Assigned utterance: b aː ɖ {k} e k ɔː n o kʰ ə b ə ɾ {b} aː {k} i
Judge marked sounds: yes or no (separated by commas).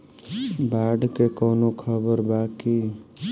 yes, yes, yes